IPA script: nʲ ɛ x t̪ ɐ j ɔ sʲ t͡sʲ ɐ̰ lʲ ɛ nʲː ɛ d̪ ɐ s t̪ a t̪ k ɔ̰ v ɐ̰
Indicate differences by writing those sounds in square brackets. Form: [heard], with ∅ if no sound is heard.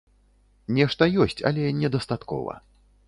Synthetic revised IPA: nʲ ɛ [ʂ] t̪ ɐ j ɔ sʲ t͡sʲ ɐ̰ lʲ ɛ [nʲ] ɛ d̪ ɐ s t̪ a t̪ k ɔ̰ v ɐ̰